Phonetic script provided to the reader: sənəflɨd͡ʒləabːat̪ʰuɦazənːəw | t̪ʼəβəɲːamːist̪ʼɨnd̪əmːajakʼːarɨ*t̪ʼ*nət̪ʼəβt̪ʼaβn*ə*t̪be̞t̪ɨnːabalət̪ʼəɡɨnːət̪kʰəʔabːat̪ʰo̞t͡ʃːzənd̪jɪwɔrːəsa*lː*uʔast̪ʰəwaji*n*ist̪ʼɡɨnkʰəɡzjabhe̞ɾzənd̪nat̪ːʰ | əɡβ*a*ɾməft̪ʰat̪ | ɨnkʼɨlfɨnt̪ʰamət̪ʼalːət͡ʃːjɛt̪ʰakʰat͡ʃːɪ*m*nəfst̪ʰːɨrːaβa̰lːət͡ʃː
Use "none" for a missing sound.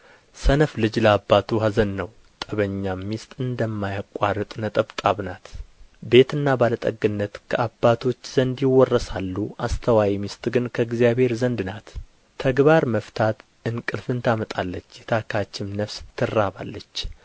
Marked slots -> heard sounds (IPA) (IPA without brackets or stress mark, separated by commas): t̪ʼ, a, lː, m, a, m